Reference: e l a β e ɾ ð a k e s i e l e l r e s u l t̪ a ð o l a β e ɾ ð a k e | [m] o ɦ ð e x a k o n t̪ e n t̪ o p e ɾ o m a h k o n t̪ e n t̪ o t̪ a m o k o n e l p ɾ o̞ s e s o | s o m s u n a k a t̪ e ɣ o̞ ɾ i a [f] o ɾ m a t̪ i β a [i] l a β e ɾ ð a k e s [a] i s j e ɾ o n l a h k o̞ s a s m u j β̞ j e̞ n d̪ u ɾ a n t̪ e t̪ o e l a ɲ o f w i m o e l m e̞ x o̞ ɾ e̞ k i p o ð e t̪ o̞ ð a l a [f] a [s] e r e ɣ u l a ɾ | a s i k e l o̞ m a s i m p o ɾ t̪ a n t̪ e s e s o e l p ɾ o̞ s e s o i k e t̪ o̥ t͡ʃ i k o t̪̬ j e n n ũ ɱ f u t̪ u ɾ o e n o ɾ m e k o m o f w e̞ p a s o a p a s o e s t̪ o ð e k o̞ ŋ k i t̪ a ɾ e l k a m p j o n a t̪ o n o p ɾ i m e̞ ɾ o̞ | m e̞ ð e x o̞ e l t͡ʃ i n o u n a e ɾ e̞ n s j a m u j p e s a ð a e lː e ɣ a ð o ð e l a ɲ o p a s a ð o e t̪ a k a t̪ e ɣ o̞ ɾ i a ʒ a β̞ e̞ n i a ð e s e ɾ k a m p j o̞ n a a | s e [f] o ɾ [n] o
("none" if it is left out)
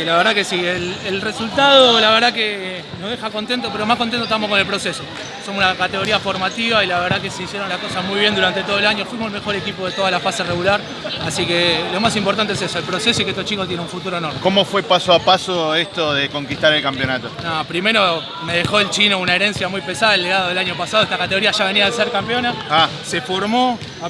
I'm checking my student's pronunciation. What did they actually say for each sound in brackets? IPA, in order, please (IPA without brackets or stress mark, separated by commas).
n, f, i, e, f, s, f, m